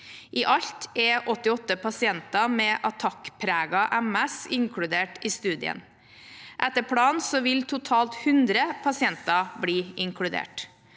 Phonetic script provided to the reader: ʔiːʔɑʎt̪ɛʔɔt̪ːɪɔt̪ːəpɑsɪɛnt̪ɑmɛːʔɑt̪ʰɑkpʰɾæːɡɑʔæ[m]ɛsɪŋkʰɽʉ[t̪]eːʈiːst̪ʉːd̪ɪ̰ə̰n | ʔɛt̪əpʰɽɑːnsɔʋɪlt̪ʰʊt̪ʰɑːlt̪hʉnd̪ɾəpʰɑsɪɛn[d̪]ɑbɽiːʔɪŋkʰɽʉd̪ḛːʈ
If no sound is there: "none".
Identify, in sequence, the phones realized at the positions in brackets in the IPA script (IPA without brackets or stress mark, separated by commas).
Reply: m, d̪, t̪